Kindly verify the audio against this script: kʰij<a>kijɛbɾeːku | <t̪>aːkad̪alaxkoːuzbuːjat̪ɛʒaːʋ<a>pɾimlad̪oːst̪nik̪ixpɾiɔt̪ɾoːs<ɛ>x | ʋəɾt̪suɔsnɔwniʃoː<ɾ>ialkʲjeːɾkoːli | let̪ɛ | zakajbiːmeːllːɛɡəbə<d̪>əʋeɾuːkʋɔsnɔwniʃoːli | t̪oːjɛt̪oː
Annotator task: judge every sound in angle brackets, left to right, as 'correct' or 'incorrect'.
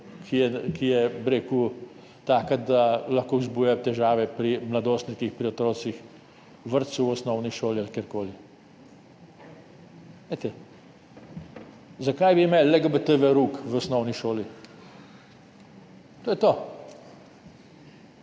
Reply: incorrect, correct, incorrect, incorrect, incorrect, incorrect

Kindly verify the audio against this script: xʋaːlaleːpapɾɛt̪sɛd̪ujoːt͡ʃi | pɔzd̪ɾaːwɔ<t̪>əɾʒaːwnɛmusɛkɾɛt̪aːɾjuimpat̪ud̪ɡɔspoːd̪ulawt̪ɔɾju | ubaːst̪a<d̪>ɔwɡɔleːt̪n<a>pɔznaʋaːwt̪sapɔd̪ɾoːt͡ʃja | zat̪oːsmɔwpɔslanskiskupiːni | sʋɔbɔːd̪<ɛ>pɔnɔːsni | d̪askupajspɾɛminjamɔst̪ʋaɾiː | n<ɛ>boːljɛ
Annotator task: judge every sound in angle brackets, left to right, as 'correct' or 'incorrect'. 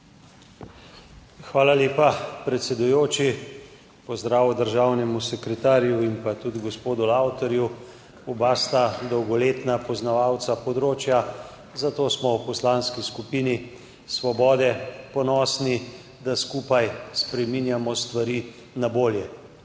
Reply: incorrect, correct, correct, correct, incorrect

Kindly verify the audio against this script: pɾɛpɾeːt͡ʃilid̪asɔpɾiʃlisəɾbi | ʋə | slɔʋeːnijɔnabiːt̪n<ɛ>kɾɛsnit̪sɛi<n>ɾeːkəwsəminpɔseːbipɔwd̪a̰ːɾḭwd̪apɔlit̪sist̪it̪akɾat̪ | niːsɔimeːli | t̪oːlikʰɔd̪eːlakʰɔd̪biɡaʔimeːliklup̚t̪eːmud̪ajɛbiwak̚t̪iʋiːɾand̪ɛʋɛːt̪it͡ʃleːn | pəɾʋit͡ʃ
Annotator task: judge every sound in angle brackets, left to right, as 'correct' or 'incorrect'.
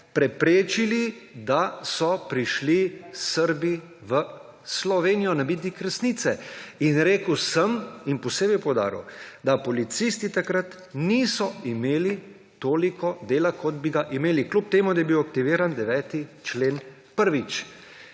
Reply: incorrect, correct

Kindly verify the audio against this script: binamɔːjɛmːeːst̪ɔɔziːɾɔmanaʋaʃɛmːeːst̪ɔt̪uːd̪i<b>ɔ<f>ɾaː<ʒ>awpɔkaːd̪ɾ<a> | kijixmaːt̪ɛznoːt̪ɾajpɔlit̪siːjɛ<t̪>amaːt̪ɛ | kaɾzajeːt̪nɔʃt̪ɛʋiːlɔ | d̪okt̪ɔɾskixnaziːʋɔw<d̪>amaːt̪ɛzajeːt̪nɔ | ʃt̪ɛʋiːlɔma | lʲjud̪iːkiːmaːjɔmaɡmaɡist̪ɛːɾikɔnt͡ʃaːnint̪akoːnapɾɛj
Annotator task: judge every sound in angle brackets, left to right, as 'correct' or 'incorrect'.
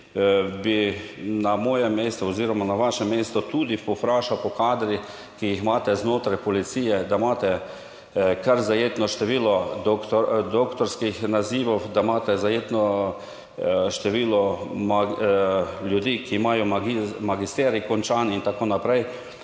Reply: incorrect, correct, incorrect, incorrect, incorrect, correct

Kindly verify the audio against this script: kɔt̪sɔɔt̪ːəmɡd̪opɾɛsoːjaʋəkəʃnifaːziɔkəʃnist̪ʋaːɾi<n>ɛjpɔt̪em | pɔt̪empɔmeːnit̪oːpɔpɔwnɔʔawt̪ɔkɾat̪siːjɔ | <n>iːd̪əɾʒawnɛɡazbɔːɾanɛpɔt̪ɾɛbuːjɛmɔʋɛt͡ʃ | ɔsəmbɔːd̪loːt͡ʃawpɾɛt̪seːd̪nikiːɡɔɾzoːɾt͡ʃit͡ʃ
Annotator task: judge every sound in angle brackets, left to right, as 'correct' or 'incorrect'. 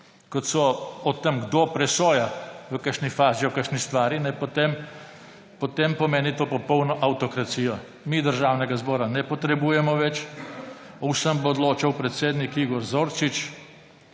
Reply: correct, incorrect

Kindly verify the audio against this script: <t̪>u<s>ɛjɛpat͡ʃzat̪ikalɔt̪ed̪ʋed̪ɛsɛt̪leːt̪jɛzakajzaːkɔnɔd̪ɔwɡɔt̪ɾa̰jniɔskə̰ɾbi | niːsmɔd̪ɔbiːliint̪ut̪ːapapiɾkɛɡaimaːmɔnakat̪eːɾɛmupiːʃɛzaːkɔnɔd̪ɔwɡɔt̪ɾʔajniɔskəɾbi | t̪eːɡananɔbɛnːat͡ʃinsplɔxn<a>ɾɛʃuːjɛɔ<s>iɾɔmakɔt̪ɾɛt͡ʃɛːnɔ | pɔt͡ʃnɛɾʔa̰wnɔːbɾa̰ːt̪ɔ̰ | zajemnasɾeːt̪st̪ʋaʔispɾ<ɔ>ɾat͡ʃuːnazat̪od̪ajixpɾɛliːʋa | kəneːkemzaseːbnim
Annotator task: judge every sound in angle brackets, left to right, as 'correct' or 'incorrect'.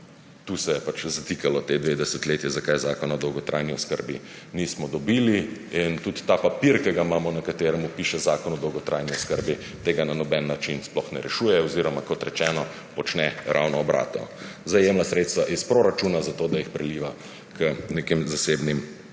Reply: correct, correct, incorrect, incorrect, incorrect

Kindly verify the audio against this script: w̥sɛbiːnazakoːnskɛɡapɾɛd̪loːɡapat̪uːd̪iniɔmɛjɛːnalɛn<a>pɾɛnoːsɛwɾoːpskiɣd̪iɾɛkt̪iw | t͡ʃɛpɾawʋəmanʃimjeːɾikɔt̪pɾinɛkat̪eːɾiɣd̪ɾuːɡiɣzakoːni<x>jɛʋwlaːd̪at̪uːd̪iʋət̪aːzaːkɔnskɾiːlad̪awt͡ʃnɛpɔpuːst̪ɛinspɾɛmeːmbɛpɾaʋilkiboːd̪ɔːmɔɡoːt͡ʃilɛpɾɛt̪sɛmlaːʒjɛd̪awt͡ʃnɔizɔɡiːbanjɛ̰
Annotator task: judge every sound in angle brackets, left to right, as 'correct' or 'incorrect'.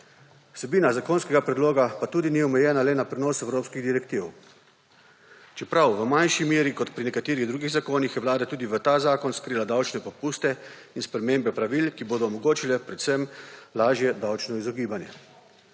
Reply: correct, correct

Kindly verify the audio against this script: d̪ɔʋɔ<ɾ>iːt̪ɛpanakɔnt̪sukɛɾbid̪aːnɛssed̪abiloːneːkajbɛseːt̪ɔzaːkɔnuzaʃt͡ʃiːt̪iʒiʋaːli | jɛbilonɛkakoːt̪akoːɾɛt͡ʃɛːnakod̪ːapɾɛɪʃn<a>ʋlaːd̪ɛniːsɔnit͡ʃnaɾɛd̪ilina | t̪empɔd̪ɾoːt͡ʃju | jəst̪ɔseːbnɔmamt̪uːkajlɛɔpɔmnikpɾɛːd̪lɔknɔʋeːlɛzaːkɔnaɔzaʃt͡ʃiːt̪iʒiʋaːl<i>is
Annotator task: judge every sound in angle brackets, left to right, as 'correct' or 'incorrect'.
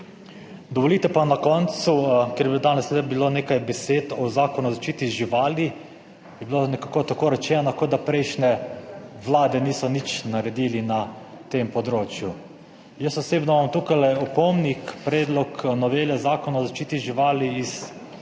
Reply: incorrect, incorrect, correct

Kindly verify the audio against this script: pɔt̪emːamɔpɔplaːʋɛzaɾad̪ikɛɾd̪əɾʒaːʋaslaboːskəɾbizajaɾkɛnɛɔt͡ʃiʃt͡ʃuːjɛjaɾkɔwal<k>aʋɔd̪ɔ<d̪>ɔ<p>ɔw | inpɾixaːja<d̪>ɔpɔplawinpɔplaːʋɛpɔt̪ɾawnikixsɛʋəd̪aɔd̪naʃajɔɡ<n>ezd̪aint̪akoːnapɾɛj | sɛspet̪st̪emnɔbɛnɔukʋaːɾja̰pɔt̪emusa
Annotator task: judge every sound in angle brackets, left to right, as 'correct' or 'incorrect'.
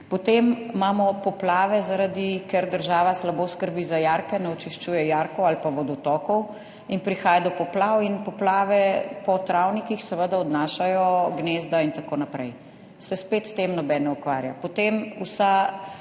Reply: incorrect, incorrect, incorrect, correct, correct

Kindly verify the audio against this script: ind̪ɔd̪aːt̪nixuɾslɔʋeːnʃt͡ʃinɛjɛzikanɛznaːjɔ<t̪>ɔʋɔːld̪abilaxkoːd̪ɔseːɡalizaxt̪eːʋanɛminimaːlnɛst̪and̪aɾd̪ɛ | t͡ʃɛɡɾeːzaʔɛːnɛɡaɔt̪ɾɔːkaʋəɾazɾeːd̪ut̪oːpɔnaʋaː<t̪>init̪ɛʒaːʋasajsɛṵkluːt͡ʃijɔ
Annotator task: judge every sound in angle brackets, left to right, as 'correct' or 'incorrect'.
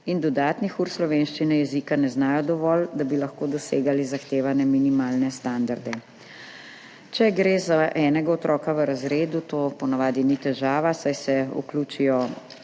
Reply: incorrect, incorrect

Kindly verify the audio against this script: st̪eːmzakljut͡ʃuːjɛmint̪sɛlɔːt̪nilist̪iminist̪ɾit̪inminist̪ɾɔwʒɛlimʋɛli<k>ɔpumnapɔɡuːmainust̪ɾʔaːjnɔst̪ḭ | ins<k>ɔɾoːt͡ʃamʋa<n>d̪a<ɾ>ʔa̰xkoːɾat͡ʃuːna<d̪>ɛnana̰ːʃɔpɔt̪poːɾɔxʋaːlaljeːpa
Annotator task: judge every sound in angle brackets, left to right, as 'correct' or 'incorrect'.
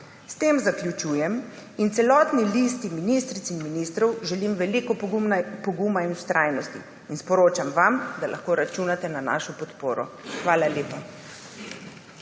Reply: correct, incorrect, incorrect, incorrect, incorrect

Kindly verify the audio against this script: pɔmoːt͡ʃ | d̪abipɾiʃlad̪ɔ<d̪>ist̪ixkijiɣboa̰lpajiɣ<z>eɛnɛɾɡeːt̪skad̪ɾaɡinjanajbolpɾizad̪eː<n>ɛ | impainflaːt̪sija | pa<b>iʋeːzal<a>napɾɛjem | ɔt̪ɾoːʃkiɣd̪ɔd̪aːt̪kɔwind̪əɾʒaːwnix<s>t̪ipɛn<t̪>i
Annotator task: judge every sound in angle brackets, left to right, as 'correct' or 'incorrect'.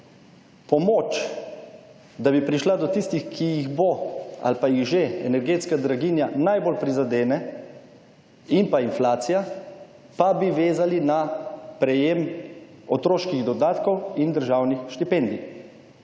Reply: incorrect, incorrect, correct, correct, incorrect, incorrect, incorrect

